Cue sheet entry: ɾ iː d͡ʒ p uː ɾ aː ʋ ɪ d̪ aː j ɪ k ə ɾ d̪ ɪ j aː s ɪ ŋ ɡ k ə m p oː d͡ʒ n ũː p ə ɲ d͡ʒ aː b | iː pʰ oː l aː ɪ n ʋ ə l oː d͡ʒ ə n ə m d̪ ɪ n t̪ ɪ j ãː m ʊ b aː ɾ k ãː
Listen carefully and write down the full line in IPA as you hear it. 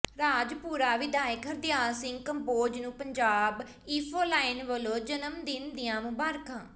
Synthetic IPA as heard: ɾ aː d͡ʒ p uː ɾ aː ʋ ɪ d̪ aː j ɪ k ə ɾ d̪ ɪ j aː s ɪ ŋ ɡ k ə m p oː d͡ʒ n ũː p ə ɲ d͡ʒ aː b | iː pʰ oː l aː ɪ n ʋ ə l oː d͡ʒ ə n ə m d̪ ɪ n d̪ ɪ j ãː m ʊ b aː ɾ k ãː